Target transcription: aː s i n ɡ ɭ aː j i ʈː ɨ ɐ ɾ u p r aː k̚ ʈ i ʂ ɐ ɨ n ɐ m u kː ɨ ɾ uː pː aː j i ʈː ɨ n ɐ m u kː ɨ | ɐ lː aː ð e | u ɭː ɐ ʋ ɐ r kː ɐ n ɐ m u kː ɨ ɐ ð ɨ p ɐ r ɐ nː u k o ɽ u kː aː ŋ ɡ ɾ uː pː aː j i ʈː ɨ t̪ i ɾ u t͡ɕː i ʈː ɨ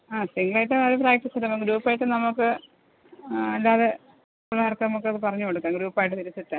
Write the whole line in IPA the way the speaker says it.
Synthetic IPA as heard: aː s i ŋ ɡ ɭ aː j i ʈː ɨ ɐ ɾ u p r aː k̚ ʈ i s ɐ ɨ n ɐ m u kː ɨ ɾ uː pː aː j i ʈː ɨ n ɐ m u kː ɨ | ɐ lː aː ð e | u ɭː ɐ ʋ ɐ r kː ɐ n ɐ m u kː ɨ ɐ ð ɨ p ɐ r ɐ ɲː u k o ɽ u kː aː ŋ ɡ ɾ uː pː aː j i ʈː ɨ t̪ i ɾ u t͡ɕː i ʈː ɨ